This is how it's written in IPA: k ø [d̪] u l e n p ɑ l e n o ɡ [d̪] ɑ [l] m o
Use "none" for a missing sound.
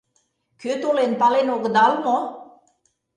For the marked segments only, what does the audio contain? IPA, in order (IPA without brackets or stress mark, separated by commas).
t̪, d̪, l